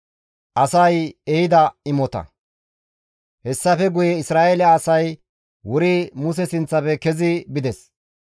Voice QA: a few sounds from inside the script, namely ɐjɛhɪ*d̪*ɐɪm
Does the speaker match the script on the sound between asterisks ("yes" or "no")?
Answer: yes